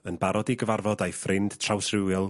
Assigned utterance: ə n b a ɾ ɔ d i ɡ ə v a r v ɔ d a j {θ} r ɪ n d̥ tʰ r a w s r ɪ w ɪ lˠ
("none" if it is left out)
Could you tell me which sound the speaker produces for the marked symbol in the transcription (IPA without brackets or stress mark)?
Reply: f